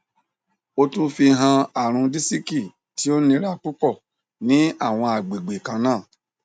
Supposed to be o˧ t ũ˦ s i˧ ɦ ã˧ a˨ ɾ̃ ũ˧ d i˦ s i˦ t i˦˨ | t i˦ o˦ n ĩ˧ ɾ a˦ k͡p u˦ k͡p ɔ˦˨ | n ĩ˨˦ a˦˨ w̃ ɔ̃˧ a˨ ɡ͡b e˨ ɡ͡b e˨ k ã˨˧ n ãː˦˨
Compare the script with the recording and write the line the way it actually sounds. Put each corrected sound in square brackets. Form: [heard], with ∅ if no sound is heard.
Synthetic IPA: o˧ t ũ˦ [f] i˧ ɦ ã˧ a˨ ɾ̃ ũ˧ d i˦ s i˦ [k] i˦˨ | t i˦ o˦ n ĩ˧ ɾ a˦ k͡p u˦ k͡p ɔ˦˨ | n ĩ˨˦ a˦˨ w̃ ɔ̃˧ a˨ ɡ͡b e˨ ɡ͡b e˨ k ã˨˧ n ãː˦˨